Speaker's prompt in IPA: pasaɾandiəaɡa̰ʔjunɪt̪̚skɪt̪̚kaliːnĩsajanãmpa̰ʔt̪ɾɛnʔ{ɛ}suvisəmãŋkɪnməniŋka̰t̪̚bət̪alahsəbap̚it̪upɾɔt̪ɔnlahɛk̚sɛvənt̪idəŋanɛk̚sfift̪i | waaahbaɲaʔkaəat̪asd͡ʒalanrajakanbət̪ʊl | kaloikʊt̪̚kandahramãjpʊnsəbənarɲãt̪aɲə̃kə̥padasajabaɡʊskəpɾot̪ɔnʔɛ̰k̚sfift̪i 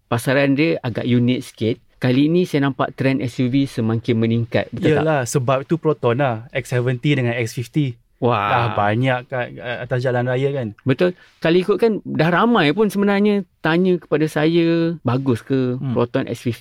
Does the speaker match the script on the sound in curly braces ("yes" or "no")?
yes